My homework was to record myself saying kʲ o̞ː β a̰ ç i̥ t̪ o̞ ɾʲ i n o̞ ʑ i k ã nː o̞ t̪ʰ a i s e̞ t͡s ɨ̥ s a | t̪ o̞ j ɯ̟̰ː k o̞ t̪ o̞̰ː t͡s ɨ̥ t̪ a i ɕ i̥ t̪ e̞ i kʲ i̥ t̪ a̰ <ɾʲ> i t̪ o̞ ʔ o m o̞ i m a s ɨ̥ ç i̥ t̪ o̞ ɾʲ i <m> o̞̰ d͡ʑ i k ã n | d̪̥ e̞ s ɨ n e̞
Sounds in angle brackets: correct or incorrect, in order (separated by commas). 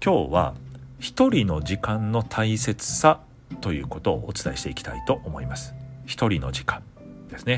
incorrect, incorrect